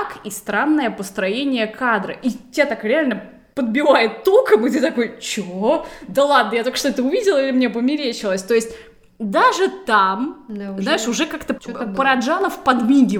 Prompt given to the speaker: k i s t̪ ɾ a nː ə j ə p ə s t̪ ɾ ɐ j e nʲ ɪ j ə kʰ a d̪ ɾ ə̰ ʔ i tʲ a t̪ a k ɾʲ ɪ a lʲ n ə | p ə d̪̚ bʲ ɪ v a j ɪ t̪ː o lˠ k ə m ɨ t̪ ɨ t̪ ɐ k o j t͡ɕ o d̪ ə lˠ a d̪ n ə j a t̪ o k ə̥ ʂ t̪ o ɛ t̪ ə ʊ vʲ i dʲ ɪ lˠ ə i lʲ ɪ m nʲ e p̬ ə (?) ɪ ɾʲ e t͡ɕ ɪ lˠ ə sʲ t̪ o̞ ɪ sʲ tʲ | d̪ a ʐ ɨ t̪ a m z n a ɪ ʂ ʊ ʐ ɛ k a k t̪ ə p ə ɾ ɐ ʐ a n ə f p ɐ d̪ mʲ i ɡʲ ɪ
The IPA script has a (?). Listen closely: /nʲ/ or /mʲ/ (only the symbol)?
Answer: mʲ